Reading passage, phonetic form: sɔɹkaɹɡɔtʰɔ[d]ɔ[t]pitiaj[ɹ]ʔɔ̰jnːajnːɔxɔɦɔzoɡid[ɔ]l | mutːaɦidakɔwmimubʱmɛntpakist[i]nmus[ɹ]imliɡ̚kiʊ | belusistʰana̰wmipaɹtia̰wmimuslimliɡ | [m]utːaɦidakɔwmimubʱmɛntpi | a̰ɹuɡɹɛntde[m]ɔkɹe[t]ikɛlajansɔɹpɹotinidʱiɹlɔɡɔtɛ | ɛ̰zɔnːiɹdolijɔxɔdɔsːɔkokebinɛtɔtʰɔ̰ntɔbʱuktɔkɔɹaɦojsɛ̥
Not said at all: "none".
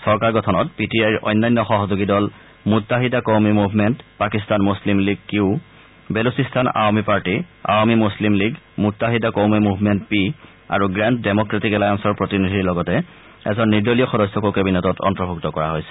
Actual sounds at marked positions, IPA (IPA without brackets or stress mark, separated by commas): n, t, ɹ, ɔ, a, l, m, m, t